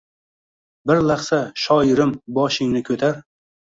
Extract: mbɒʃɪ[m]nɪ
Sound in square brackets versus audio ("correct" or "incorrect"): incorrect